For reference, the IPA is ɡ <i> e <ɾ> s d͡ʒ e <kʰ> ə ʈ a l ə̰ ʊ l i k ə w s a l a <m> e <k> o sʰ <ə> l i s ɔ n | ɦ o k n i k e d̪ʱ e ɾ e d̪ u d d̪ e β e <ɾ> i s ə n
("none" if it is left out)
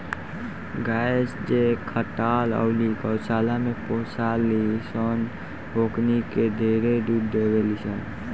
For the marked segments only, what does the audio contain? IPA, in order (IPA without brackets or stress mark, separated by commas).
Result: a, none, kʰ, m, p, a, l